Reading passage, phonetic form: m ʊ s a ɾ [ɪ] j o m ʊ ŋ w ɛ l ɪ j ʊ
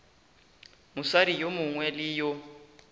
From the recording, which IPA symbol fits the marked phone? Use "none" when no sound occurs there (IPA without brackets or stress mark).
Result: i